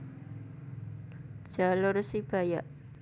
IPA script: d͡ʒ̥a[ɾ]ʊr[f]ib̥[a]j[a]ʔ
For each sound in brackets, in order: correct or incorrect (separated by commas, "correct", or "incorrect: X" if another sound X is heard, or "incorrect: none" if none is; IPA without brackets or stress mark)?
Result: incorrect: l, incorrect: s, correct, correct